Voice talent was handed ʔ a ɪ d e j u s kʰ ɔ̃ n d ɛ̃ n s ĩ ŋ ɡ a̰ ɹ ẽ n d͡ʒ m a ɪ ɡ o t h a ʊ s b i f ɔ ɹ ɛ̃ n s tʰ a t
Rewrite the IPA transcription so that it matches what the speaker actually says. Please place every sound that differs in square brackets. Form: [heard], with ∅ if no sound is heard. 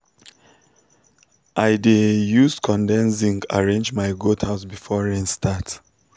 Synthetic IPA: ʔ a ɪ d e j u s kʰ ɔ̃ n d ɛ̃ n s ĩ ŋ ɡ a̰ ɹ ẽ n d͡ʒ m a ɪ ɡ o t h a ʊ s b i f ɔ ɹ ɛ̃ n s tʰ a t